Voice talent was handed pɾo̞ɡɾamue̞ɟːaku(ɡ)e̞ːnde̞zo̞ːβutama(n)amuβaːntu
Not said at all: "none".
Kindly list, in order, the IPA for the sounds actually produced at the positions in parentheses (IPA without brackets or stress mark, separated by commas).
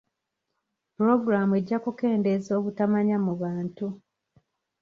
k, ɲ